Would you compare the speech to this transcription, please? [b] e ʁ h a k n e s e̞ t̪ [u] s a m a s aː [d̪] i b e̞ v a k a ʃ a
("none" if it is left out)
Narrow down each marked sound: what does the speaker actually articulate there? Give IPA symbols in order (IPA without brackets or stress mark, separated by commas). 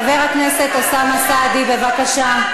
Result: v, o, d̪